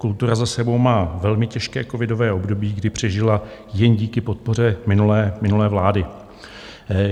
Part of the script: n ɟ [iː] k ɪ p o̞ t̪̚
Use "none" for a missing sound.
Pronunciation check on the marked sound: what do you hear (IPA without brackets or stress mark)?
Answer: iː